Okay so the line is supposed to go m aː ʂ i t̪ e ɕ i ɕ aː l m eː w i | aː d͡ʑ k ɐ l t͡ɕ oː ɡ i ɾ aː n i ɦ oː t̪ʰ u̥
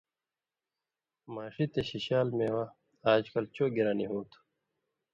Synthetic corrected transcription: m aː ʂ i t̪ e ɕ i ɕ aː l m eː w a | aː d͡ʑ k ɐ l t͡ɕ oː ɡ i ɾ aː n i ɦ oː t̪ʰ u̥